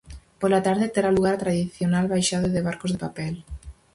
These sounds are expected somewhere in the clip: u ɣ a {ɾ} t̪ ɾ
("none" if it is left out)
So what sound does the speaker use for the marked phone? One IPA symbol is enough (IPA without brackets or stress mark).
ɾ